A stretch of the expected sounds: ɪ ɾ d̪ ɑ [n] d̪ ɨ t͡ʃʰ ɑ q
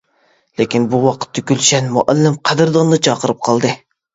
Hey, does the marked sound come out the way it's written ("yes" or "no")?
yes